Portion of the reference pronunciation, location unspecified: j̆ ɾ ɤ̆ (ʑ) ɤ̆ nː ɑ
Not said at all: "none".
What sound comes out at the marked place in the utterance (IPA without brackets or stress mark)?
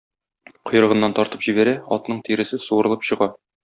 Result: ʁ